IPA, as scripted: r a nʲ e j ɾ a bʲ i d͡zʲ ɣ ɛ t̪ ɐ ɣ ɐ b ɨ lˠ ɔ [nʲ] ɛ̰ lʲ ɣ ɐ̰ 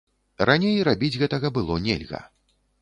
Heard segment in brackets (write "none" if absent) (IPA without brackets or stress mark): nʲ